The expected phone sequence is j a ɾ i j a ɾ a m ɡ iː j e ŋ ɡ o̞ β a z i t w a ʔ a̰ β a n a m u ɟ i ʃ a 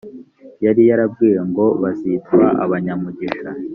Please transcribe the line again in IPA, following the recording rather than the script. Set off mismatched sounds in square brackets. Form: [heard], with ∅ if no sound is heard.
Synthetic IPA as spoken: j a ɾ i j a ɾ a [b] ɡ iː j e ŋ ɡ o̞ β a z i t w a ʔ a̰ β a [ɲ] a m u ɟ i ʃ a